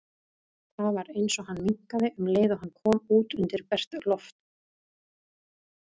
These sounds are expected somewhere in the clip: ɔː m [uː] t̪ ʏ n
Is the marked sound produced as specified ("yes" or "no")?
yes